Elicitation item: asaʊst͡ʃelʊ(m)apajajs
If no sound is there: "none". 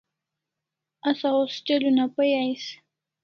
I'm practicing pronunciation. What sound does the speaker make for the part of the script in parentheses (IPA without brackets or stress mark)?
n